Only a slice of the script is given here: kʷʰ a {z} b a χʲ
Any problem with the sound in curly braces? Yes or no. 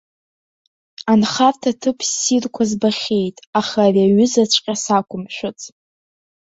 no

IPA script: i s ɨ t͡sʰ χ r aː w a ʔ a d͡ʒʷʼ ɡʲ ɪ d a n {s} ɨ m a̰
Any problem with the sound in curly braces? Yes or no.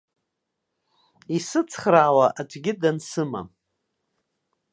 no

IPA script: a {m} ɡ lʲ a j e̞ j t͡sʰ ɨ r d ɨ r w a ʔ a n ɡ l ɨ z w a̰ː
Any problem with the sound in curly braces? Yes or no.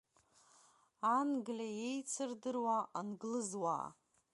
yes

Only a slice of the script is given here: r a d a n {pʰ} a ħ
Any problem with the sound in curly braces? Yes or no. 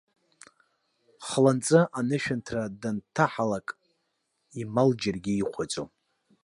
yes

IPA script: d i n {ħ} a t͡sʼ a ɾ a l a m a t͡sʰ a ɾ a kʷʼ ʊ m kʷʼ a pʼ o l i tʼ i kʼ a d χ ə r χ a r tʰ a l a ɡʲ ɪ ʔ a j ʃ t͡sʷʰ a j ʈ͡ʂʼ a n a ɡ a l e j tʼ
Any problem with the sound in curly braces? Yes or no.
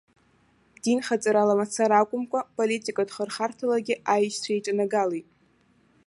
yes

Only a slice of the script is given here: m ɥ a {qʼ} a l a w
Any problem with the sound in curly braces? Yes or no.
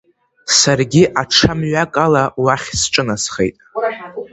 yes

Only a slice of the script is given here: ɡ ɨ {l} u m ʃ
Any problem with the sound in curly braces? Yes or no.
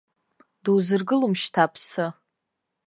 no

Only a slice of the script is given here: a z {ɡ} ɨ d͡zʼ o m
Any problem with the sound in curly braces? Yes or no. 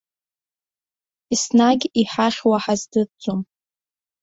yes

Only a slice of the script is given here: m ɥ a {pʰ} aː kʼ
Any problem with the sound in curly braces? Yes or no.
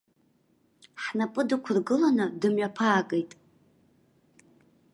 no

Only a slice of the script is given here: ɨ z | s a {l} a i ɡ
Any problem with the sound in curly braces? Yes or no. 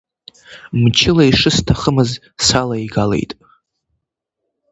no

